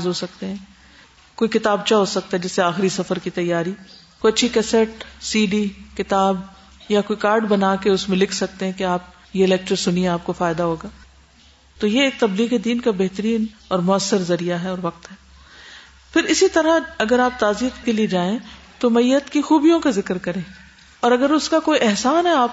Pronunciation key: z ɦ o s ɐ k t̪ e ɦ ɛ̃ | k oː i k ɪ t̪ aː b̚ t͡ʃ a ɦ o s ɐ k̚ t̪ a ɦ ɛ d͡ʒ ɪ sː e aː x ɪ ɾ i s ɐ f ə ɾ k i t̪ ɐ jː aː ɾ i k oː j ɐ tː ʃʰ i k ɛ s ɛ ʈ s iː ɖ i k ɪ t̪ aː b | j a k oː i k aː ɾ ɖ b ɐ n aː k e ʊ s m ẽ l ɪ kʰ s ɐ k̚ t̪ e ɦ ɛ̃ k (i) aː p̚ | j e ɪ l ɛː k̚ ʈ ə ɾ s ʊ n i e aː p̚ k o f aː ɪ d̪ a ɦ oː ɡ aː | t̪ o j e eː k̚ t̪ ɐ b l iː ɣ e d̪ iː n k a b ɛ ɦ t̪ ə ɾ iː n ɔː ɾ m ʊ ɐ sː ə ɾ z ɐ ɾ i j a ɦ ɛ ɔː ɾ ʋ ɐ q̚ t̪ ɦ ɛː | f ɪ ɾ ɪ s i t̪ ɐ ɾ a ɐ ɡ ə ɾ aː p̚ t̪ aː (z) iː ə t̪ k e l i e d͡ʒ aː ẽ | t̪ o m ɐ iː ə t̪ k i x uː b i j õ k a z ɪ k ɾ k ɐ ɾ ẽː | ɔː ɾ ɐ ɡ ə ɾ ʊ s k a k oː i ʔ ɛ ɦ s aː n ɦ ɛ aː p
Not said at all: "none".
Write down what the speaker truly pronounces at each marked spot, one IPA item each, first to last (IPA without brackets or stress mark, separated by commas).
e, z